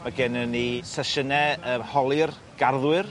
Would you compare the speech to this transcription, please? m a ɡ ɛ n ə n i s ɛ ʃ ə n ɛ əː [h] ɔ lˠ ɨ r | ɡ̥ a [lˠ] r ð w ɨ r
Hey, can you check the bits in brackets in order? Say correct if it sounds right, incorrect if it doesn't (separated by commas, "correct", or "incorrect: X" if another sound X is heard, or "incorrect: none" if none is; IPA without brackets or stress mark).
correct, incorrect: none